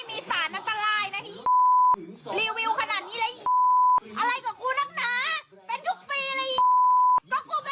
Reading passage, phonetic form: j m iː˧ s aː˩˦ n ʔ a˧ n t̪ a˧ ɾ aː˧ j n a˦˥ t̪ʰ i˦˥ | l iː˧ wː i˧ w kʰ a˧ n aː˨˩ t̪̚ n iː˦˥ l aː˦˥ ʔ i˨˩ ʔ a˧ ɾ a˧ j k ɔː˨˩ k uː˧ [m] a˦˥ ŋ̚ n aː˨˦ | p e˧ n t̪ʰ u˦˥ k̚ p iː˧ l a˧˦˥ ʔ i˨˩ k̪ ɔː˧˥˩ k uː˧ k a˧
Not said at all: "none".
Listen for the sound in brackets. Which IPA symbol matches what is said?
n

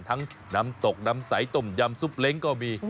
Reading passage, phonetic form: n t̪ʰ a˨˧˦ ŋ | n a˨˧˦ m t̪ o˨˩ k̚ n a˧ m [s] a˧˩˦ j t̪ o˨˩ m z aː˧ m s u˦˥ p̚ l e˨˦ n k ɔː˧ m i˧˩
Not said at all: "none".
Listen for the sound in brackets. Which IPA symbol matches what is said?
s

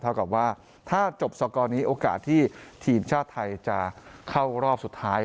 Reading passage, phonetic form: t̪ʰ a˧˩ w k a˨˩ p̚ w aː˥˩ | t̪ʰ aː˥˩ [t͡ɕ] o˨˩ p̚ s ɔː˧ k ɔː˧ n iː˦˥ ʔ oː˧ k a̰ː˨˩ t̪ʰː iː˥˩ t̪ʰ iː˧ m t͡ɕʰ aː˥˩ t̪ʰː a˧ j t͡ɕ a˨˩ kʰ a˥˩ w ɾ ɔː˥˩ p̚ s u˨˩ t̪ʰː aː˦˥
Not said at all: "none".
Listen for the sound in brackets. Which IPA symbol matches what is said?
t͡ɕ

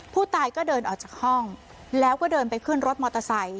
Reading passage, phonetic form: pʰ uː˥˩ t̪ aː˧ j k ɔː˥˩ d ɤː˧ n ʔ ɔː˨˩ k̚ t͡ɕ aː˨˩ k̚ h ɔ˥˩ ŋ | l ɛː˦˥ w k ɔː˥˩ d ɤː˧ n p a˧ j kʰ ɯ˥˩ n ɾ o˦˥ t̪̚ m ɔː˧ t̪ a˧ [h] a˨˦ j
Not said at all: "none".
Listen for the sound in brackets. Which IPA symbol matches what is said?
s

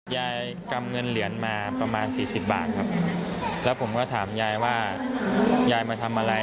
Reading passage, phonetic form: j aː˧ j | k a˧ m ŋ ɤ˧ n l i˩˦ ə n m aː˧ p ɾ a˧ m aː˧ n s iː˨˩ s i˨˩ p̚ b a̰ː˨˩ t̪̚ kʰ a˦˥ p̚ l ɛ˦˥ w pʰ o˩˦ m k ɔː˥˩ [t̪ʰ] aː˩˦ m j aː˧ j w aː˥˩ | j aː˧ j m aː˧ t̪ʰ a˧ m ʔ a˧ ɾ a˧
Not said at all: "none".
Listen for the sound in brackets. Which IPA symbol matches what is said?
t̪ʰ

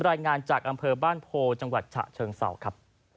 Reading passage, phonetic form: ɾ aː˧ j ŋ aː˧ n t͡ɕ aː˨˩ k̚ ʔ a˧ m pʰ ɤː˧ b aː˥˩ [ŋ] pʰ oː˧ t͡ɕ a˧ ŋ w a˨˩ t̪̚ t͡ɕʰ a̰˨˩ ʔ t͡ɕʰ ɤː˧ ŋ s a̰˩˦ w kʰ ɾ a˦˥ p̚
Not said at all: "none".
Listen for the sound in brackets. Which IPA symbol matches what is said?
n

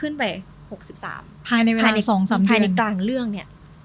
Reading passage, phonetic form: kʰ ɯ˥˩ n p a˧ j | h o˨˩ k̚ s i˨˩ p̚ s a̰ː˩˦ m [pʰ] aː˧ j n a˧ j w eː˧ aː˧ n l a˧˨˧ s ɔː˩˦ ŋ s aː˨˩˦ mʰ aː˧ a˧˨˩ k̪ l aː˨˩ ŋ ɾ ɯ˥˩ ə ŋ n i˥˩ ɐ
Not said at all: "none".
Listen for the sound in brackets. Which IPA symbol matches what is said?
pʰ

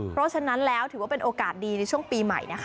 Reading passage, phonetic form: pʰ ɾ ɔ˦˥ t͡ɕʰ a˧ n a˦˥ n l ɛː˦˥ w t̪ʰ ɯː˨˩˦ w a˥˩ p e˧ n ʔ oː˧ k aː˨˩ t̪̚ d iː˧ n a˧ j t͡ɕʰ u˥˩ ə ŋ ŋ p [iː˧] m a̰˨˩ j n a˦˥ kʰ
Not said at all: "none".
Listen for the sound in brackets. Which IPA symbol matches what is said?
iː˧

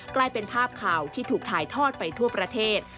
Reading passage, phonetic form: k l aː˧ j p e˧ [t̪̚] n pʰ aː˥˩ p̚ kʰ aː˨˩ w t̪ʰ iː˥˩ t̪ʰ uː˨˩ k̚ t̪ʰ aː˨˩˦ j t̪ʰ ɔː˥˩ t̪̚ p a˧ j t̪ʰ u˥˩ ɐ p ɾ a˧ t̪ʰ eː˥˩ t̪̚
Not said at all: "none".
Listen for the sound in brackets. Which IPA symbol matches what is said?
none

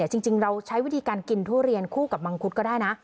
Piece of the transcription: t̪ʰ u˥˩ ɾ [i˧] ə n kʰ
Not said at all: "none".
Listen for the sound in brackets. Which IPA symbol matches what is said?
i˧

